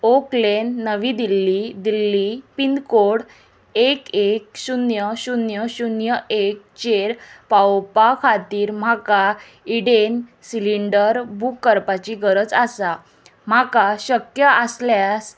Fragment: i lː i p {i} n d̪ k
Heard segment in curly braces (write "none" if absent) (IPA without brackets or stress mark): i